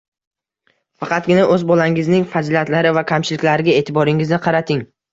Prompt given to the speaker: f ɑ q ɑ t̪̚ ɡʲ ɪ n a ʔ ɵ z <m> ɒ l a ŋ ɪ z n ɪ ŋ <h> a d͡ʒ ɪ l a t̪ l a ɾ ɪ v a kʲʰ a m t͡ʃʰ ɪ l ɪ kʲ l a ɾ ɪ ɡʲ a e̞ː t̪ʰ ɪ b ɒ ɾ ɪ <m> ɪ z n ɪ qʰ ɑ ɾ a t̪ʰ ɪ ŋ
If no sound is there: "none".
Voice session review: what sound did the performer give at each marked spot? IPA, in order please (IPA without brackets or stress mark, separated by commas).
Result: b, f, ŋ